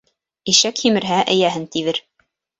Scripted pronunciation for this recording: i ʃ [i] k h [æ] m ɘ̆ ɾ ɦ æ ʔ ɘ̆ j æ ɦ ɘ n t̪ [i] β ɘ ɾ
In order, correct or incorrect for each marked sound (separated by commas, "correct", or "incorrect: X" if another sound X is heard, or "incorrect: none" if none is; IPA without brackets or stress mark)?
incorrect: æ, incorrect: i, correct